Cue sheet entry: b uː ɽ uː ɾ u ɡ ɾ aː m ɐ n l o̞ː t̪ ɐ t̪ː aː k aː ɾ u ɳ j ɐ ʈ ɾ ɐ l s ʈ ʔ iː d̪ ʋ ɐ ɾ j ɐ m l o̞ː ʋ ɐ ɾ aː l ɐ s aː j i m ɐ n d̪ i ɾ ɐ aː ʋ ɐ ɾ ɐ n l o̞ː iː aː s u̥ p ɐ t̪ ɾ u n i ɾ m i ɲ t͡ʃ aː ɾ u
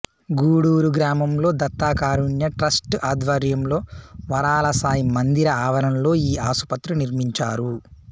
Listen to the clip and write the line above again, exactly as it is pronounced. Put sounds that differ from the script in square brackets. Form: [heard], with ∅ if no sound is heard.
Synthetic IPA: [ɡ] uː ɽ uː ɾ u ɡ ɾ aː m ɐ [m] l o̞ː [d̪] ɐ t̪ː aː k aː ɾ u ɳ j ɐ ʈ ɾ ɐ [∅] s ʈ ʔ [aː] d̪ ʋ ɐ ɾ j ɐ m l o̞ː ʋ ɐ ɾ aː l ɐ s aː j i m ɐ n d̪ i ɾ ɐ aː ʋ ɐ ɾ ɐ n l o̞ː iː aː s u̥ p ɐ t̪ ɾ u n i ɾ m i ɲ t͡ʃ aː ɾ u

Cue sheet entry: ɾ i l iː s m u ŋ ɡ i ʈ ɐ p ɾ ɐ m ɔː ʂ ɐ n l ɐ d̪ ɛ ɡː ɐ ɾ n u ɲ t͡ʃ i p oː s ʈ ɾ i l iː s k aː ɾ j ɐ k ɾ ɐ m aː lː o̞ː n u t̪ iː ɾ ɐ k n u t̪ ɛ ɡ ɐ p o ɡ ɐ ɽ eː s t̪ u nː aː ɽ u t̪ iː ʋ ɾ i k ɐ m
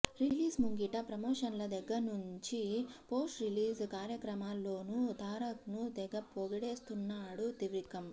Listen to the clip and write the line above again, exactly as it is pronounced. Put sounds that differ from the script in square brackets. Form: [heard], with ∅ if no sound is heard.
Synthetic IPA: ɾ i l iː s m u ŋ ɡ i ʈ ɐ p ɾ ɐ m ɔː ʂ ɐ n l ɐ d̪ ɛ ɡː ɐ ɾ n u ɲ t͡ʃ i p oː s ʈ ɾ i l iː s k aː ɾ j ɐ k ɾ ɐ m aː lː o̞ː n u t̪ [aː] ɾ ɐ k n u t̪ ɛ ɡ ɐ p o ɡ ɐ ɽ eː s t̪ u nː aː ɽ u t̪ [i] ʋ ɾ i k ɐ m

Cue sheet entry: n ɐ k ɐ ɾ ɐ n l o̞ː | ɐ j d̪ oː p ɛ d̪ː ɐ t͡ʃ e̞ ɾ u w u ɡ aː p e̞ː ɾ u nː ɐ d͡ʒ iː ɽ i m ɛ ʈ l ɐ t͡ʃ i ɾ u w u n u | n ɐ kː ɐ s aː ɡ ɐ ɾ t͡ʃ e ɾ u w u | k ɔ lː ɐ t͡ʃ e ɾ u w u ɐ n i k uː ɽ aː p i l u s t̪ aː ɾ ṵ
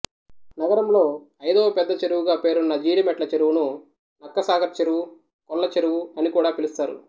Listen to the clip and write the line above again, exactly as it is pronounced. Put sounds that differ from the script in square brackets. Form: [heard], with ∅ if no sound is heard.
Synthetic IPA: n ɐ [ɡ] ɐ ɾ ɐ [m] l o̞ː | ɐ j d̪ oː p ɛ d̪ː ɐ t͡ʃ e̞ ɾ u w u ɡ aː p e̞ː ɾ u nː ɐ d͡ʒ iː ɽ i m ɛ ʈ l ɐ t͡ʃ [e] ɾ u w u n u | n ɐ kː ɐ s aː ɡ ɐ ɾ t͡ʃ e ɾ u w u | k ɔ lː ɐ t͡ʃ e ɾ u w u ɐ n i k uː ɽ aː p i l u s t̪ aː ɾ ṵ

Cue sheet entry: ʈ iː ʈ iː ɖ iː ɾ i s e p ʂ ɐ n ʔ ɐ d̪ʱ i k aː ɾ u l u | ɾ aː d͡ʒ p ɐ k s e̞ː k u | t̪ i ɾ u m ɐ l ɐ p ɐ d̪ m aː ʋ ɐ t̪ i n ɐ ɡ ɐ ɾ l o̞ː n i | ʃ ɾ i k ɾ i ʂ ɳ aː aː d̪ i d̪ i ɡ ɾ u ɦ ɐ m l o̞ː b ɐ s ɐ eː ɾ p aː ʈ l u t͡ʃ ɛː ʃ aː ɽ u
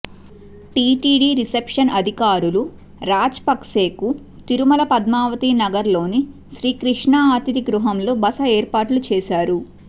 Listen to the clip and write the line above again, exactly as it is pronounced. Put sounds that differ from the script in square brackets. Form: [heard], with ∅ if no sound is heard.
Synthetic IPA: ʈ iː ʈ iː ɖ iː ɾ i s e p ʂ ɐ n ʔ ɐ d̪ʱ i k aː ɾ u l u | ɾ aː d͡ʒ p ɐ k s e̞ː k u | t̪ i ɾ u m ɐ l ɐ p ɐ d̪ m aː ʋ ɐ t̪ i n ɐ ɡ ɐ ɾ l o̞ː n i | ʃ ɾ [iː] k ɾ i ʂ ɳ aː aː [t̪] i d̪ i ɡ ɾ u ɦ ɐ m l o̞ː b ɐ s ɐ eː ɾ p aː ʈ l u t͡ʃ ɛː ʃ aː [ɾ] u

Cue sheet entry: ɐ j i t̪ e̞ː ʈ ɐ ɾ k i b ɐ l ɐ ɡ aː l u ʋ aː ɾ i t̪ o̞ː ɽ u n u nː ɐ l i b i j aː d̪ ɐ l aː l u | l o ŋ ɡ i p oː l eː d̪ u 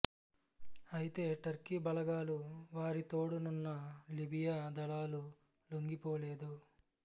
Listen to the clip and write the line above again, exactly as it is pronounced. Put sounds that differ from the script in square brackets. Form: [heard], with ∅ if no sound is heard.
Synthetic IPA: ɐ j i t̪ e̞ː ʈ ɐ ɾ k i b ɐ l ɐ ɡ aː l u ʋ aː ɾ i t̪ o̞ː ɽ u n u nː ɐ l i b i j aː d̪ ɐ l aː l u | l o ŋ ɡ i p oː l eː d̪ u

